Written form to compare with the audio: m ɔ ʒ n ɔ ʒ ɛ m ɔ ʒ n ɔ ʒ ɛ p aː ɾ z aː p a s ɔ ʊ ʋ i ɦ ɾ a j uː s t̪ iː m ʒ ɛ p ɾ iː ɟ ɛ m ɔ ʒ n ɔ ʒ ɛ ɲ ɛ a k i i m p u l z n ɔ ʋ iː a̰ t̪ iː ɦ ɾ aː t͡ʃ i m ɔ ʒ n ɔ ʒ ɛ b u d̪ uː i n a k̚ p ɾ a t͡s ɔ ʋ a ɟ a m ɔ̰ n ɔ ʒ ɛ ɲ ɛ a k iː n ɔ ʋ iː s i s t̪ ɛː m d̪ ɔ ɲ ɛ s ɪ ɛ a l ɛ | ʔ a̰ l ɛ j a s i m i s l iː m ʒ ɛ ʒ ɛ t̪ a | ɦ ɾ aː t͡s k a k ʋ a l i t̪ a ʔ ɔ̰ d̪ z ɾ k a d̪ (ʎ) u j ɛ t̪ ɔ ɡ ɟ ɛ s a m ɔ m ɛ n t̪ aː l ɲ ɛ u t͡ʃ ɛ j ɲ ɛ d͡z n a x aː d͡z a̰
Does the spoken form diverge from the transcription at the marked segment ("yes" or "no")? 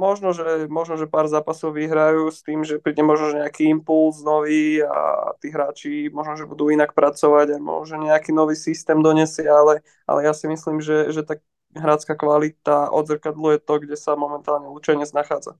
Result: yes